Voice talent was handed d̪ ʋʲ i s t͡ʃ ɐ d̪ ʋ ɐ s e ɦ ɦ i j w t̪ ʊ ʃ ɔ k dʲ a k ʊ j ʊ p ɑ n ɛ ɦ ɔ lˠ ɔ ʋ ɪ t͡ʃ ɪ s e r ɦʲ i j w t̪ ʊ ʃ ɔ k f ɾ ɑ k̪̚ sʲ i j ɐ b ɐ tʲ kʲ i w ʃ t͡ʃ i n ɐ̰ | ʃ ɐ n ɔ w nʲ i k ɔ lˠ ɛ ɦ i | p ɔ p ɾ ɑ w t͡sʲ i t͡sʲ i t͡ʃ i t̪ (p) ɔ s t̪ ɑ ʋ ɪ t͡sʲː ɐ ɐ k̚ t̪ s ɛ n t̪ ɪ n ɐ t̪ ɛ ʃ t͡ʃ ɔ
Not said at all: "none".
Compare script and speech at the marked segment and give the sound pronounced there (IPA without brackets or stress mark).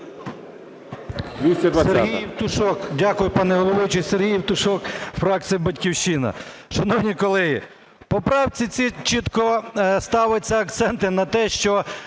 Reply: k